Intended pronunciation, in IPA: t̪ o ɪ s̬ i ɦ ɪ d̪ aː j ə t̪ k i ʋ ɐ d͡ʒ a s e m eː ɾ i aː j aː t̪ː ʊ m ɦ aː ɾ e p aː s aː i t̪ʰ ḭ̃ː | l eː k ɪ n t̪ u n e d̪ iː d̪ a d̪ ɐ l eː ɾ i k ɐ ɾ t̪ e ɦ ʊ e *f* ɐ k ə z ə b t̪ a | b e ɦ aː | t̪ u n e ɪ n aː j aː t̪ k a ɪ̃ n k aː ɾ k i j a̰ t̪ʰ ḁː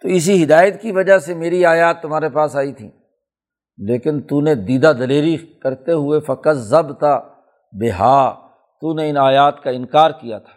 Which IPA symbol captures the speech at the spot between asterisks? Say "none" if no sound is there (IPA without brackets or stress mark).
f